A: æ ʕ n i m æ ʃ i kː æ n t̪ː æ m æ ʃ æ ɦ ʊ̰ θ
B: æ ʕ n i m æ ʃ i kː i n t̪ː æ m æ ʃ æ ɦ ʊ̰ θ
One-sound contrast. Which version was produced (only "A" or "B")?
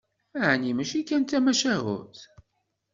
A